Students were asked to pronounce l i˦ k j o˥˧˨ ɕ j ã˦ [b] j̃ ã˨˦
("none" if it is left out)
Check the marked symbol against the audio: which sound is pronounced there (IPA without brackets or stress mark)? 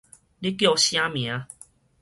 m